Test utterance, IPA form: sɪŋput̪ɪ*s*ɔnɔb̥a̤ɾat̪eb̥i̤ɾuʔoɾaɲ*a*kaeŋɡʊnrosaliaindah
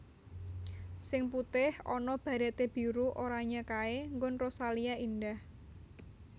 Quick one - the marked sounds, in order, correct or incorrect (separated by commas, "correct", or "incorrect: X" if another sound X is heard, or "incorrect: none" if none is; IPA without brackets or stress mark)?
incorrect: h, correct